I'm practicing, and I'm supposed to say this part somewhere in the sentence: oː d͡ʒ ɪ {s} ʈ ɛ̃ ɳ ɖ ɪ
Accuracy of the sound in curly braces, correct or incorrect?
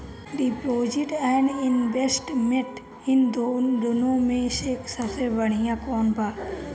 incorrect